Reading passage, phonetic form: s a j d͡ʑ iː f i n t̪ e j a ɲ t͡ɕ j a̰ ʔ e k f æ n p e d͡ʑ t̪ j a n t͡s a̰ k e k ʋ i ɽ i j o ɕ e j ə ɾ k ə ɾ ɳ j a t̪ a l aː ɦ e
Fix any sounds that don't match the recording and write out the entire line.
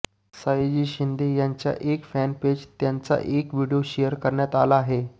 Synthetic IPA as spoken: s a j d͡ʑ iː ɕ i n d̪ e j a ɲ t͡ɕ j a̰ ʔ e k f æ n p e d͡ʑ t̪ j a n t͡s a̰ ʔ e k ʋ i ɽ i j o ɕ e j ə ɾ k ə ɾ ɳ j a t̪ a l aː ɦ e

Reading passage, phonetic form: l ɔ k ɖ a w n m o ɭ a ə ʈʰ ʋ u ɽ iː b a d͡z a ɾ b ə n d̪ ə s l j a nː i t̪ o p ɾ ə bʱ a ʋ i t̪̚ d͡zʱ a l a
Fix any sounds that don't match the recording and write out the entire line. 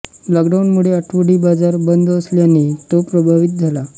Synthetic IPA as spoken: l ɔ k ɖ a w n m u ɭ e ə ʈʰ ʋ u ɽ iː b a d͡z a ɾ b ə n d̪ ə s l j a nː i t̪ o p ɾ ə bʱ a ʋ i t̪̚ d͡zʱ a l a

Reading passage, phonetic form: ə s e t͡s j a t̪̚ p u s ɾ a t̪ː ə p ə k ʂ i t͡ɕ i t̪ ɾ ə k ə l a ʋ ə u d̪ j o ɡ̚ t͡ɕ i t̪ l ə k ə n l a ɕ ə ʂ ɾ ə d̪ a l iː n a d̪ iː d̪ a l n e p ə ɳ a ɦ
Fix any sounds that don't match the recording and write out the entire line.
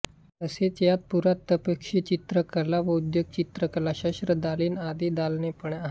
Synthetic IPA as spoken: ə s e t͡s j a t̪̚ p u ɾ a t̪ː ə p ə k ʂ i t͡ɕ i t̪ ɾ ə k ə l a ʋ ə u d̪ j o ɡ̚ t͡ɕ i t̪ ɾ ə k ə l a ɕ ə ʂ ɾ ə d̪ a l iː n a d̪ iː d̪ a l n e p ə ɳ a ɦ

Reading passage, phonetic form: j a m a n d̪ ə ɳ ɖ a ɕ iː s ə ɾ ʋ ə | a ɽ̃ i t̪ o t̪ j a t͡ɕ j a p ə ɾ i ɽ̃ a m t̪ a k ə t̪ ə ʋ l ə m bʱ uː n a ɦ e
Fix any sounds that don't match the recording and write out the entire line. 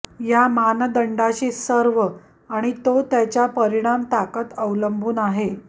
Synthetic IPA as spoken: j a m a n d̪ ə ɳ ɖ a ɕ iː s ə ɾ ʋ ə | a ɽ̃ i t̪ o t̪ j a t͡ɕ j a p ə ɾ i ɽ̃ a m t̪ a k ə t̪ ə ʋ l ə m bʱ uː n a ɦ e

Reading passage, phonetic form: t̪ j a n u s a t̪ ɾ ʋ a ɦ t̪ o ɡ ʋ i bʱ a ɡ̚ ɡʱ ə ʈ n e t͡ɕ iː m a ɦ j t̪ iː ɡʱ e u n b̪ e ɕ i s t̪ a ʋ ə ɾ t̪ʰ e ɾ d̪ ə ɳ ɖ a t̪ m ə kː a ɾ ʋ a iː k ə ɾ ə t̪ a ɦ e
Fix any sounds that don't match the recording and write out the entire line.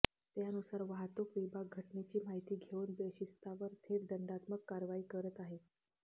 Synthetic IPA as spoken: t̪ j a n u s a ɾ ʋ a ɦ t̪ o k ʋ i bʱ a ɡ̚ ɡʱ ə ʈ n e t͡ɕ iː m a ɦ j t̪ iː ɡʱ e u n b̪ e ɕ i s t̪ a ʋ ə ɾ t̪ʰ e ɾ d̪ ə ɳ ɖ a t̪ m ə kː a ɾ ʋ a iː k ə ɾ ə t̪ a ɦ e

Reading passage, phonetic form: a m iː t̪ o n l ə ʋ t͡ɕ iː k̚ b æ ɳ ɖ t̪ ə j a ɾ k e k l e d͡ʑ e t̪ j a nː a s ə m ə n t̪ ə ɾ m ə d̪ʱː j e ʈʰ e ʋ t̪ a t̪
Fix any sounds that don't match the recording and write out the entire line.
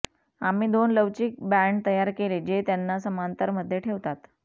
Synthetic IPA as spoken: a m iː d̪ o n l ə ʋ t͡ɕ iː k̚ b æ ɳ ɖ t̪ ə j a ɾ k e l e d͡ʑ e t̪ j a nː a s ə m a n t̪ ə ɾ m ə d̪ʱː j e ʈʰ e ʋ t̪ a t̪

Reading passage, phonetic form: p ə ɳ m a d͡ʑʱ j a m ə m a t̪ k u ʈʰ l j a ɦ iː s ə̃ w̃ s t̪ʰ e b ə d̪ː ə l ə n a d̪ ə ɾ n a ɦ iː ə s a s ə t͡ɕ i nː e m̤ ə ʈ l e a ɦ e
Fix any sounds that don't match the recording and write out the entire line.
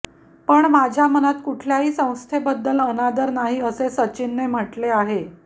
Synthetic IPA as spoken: p ə ɳ m a d͡ʑʱ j a m ə n a t̪ k u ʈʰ l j a ɦ iː s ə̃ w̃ s t̪ʰ e b ə d̪ː ə l ə n a d̪ ə ɾ n a ɦ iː ə s e s ə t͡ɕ i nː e m̤ ə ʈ l e a ɦ e

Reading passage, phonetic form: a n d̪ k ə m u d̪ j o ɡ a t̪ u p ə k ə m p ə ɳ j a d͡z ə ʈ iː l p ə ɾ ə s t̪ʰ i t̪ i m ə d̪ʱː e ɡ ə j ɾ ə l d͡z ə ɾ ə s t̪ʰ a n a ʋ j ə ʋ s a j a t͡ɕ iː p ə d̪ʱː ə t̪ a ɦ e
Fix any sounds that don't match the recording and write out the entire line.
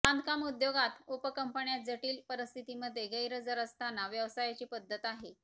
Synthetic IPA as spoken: a n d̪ k a m u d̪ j o ɡ a t̪ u p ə k ə m p ə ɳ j a d͡z ə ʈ iː l p ə ɾ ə s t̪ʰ i t̪ i m ə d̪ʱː e ɡ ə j ɾ ə d͡z ə ɾ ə s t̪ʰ a n a ʋ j ə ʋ s a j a t͡ɕ iː p ə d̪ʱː ə t̪ a ɦ e

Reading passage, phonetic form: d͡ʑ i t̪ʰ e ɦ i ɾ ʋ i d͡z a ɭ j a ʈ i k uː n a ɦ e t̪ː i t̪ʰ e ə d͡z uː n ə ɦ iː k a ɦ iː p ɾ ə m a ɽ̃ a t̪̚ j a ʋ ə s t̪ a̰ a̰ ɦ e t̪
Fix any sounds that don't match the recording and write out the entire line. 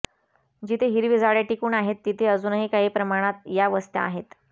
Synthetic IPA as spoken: d͡ʑ i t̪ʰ e ɦ i ɾ ʋ i d͡z a ɭ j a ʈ i k uː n a ɦ e t̪ː i t̪ʰ e ə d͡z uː n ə ɦ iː k a ɦ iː p ɾ ə m a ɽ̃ a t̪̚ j a ʋ ə s t̪ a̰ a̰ ɦ e t̪

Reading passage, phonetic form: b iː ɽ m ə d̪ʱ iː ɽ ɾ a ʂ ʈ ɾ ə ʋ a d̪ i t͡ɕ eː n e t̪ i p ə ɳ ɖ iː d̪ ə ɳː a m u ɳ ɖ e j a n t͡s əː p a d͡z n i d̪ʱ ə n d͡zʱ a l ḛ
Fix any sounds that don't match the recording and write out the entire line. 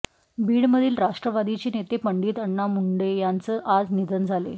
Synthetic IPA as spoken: b iː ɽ m ə d̪ʱ iː l ɾ a ʂ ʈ ɾ ə ʋ a d̪ i t͡ɕ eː n e t̪ e p ə ɳ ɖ iː t̪ ə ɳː a m u ɳ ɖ e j a n t͡s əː ʔ a d͡z n i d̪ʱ ə n d͡zʱ a l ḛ

